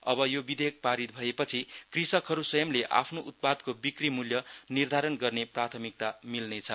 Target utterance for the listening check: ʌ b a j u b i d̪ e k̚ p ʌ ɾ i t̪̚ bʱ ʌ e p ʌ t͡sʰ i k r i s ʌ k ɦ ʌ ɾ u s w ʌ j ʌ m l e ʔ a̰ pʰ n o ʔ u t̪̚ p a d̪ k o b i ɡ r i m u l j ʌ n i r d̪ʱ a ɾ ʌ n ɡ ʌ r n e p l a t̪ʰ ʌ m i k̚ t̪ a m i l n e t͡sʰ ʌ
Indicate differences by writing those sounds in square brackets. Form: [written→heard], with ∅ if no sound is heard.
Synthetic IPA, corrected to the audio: ʌ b [a→ʌ] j [u→o] b i d̪ e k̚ p [ʌ→a] ɾ i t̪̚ bʱ ʌ e p ʌ t͡sʰ i k r i s ʌ k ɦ ʌ ɾ u s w ʌ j ʌ m l e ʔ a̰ pʰ n o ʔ u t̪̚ p a d̪ k o b i [ɡ→k] r i m u l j ʌ n i r d̪ʱ a ɾ ʌ n ɡ ʌ r n e p [l→r] a t̪ʰ ʌ m i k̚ t̪ a m i l n e t͡sʰ ʌ